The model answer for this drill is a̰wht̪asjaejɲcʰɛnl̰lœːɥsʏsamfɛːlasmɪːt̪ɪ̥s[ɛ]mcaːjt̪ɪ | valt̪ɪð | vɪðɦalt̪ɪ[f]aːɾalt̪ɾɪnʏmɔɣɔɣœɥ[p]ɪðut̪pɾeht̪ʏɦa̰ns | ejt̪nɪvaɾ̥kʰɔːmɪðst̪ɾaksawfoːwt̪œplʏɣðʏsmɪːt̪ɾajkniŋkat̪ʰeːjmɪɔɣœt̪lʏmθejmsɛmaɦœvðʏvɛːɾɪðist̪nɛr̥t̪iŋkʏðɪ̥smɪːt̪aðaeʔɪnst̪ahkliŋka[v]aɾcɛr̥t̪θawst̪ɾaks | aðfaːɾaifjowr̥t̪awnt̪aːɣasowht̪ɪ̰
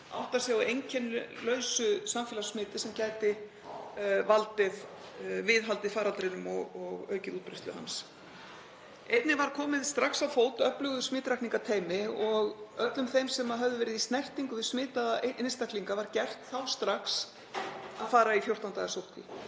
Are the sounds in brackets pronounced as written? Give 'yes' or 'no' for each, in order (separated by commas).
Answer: yes, yes, no, yes